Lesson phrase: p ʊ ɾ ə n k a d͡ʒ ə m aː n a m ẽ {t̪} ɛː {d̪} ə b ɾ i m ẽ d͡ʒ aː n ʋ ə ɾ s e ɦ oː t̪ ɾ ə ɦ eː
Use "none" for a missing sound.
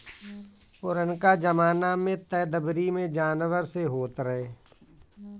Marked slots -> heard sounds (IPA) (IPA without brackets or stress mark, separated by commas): t̪, d̪